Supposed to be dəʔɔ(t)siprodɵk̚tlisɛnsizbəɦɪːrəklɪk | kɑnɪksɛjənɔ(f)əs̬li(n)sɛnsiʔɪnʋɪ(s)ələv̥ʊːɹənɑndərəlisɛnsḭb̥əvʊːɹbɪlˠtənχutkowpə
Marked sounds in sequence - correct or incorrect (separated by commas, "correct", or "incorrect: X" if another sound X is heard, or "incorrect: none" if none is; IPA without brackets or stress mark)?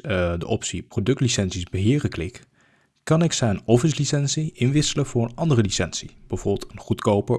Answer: incorrect: p, correct, incorrect: none, correct